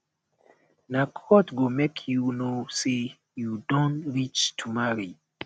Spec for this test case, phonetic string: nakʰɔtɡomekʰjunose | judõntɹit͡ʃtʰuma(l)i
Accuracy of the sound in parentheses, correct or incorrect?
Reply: incorrect